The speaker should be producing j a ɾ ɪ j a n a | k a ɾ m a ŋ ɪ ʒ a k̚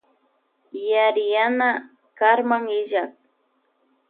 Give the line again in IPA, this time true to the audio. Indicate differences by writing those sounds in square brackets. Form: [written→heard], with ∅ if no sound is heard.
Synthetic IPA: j a ɾ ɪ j a n a | k a ɾ m a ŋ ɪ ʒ a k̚